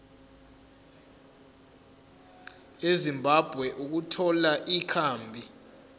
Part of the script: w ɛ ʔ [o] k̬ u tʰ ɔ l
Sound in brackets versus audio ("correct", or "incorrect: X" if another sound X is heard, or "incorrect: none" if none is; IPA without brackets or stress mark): incorrect: u